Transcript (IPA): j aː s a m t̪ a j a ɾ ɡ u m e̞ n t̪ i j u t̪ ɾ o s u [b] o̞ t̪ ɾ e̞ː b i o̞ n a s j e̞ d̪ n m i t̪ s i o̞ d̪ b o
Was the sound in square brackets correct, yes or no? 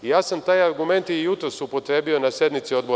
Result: no